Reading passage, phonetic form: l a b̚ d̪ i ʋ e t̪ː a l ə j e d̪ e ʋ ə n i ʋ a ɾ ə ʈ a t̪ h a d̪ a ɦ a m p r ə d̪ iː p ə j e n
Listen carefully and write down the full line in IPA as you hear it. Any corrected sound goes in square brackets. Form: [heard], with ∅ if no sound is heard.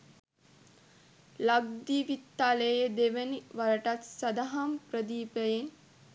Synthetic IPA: l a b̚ d̪ i ʋ [i] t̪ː a l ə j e d̪ e ʋ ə n i ʋ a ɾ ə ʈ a t̪ [s] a d̪ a ɦ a m p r ə d̪ iː p ə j e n